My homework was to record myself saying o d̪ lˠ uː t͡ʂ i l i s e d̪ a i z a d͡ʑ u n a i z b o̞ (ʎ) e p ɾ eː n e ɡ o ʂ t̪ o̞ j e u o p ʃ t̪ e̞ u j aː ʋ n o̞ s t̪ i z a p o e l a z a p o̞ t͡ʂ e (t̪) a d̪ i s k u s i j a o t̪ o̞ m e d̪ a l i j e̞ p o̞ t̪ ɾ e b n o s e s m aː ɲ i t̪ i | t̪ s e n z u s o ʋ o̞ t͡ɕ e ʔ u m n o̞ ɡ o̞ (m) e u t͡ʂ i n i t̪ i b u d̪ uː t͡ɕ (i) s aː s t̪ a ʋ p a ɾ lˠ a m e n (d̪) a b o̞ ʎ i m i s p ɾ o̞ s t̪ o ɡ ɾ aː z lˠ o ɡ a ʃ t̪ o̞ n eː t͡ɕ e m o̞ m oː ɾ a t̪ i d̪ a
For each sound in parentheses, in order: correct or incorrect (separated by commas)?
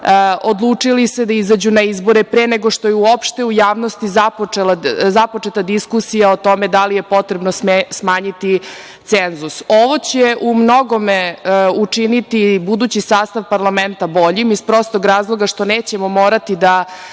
incorrect, correct, correct, correct, incorrect